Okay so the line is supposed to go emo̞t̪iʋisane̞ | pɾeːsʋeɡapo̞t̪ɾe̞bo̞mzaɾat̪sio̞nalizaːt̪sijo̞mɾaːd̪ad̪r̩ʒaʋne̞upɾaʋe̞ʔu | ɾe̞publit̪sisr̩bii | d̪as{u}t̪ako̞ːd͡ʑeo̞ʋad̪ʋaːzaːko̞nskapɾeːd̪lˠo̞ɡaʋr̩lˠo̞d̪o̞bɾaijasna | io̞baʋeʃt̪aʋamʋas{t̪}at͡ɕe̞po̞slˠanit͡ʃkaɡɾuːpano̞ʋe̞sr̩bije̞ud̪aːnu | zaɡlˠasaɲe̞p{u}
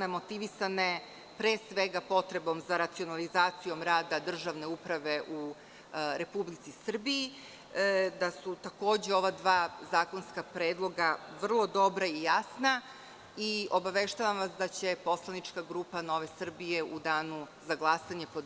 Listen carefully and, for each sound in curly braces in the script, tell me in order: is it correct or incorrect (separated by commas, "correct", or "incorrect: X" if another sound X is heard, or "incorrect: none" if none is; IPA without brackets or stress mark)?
correct, incorrect: d̪, incorrect: o